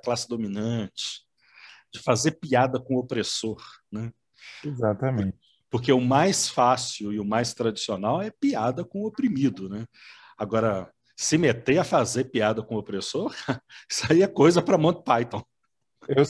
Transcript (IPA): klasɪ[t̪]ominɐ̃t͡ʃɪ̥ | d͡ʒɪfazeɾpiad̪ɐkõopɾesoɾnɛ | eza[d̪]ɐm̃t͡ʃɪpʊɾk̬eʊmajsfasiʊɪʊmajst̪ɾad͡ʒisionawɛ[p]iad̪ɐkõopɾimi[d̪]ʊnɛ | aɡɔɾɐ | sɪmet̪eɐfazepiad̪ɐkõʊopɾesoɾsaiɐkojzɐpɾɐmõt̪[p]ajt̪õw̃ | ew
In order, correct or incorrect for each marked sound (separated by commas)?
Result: incorrect, incorrect, correct, correct, correct